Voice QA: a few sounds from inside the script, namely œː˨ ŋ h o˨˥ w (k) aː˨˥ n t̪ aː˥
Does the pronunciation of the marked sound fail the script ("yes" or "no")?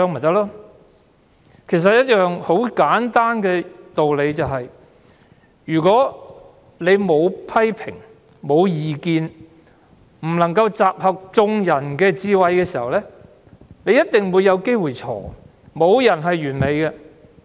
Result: no